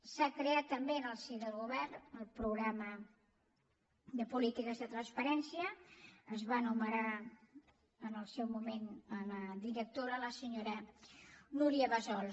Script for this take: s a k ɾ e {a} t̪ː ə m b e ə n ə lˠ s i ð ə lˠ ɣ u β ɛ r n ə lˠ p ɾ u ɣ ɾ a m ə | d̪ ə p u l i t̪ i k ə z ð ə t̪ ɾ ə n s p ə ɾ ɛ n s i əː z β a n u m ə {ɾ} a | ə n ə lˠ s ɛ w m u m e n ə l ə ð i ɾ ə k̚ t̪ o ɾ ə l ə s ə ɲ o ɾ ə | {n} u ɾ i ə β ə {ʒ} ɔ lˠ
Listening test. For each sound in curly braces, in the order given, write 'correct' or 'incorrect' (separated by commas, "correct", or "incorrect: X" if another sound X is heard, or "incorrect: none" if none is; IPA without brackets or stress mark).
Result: correct, correct, correct, incorrect: z